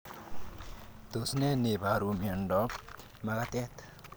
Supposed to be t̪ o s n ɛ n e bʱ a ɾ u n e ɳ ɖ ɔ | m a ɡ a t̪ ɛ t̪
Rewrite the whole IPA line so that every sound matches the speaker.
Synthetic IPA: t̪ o s n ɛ n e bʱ a ɾ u m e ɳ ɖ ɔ | m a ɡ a t̪ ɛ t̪

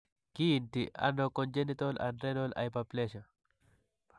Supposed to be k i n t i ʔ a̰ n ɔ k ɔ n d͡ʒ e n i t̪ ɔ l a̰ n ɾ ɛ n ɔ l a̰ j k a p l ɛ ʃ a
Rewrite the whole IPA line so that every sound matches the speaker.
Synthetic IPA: k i n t i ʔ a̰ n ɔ k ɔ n d͡ʒ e n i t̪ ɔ l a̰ n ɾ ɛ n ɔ l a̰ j p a p l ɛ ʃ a

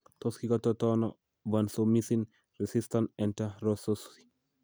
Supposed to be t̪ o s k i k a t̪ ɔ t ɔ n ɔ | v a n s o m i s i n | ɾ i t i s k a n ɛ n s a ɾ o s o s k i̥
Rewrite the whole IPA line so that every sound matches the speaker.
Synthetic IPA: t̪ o s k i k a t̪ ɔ t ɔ n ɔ | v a n s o m i s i n | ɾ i s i s t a n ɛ n t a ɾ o s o s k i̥

